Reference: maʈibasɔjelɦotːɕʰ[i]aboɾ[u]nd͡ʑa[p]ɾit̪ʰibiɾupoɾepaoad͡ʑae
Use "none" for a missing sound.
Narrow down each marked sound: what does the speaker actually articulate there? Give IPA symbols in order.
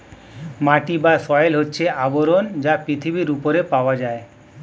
e, o, p

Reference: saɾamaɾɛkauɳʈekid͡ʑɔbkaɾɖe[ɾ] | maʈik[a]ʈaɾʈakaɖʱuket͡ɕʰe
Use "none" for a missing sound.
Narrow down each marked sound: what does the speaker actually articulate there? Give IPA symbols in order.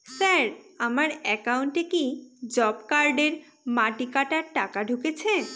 ɾ, a

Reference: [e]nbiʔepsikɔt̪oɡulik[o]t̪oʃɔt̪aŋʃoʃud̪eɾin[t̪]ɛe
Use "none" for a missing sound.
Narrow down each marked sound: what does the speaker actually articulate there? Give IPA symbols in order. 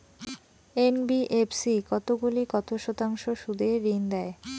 e, ɔ, d̪

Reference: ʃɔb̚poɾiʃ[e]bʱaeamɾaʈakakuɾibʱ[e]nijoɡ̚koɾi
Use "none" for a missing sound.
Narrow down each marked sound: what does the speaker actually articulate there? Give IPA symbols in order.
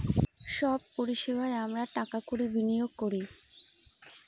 e, i

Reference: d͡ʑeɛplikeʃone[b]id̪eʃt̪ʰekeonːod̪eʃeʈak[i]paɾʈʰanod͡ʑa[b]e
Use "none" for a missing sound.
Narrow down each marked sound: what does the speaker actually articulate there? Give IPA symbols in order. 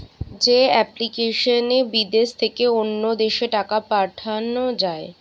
b, a, none

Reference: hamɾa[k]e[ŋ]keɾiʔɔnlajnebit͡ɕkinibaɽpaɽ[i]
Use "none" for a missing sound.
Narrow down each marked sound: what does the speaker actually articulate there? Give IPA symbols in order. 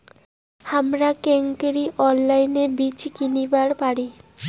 k, ŋ, i

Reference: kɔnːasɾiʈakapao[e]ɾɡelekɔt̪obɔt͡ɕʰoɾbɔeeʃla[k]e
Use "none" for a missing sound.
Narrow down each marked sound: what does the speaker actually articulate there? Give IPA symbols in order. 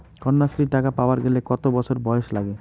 a, ɡ

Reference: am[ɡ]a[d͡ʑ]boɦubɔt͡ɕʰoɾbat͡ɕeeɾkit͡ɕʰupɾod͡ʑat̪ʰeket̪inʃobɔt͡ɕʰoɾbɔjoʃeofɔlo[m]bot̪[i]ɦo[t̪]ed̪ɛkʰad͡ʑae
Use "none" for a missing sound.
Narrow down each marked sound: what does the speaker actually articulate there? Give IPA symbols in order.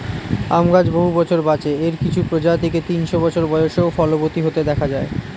ɡ, d͡ʑ, none, i, t̪

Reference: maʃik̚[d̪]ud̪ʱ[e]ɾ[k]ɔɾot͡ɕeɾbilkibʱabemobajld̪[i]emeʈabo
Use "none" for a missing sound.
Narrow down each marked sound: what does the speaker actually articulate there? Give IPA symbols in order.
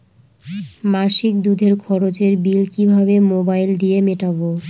d̪, e, kʰ, i

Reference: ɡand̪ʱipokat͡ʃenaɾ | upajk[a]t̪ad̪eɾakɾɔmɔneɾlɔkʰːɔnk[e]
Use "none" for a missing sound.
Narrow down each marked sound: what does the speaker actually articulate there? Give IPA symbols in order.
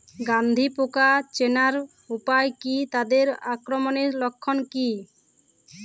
i, i

